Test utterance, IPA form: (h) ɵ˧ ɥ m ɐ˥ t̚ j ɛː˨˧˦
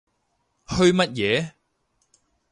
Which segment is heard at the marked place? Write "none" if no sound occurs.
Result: h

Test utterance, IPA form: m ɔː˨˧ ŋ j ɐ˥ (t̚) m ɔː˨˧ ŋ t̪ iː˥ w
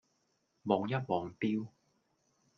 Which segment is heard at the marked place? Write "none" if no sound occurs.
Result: t̚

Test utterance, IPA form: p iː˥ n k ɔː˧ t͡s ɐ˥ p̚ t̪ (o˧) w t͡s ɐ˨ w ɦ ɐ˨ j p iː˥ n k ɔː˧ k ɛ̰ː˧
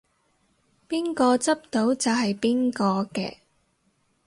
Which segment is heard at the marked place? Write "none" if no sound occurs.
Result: o˨˥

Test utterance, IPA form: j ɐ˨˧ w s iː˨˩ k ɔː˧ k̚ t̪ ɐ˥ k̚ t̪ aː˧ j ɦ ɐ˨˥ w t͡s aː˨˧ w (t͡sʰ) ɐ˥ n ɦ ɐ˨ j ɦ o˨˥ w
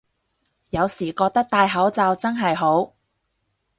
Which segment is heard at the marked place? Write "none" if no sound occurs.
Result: t͡s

